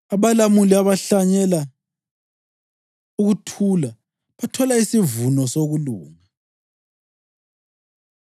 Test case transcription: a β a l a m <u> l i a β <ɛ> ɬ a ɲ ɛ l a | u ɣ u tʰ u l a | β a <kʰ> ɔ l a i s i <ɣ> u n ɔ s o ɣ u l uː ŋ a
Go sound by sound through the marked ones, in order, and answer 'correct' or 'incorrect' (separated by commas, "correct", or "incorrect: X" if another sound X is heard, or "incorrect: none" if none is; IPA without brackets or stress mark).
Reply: correct, incorrect: a, incorrect: tʰ, incorrect: v